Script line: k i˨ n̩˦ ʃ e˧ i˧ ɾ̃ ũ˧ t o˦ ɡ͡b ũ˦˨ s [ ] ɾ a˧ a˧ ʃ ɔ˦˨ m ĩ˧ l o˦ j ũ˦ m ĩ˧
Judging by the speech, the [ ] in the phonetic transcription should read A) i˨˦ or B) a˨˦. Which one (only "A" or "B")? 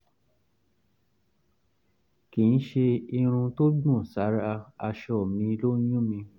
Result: B